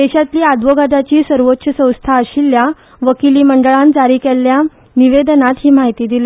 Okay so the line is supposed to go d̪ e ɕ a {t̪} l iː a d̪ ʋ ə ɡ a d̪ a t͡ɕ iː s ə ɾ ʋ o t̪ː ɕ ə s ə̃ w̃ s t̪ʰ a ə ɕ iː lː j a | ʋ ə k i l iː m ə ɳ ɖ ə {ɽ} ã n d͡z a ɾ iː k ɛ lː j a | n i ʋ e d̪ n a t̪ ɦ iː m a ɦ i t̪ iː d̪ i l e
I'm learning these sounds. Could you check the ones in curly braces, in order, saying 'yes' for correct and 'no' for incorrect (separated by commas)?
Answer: yes, no